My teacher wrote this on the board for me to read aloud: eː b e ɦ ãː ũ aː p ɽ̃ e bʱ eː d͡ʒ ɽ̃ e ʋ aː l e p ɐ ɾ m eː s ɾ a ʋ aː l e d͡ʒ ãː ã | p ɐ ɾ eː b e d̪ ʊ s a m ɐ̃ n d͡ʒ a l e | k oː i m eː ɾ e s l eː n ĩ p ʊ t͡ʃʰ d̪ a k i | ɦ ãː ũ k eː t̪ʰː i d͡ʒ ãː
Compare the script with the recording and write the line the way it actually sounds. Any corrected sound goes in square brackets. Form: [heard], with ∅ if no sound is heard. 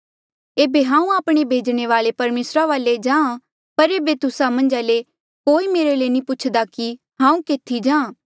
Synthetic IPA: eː b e ɦ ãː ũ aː p ɽ̃ e bʱ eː d͡ʒ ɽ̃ e ʋ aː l e p ɐ ɾ m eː s ɾ a ʋ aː l e d͡ʒ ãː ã | p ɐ ɾ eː b e [t̪] ʊ s a m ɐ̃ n d͡ʒ a l e | k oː i m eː ɾ e [∅] l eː n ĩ p ʊ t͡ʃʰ d̪ a k i | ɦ ãː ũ k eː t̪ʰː i d͡ʒ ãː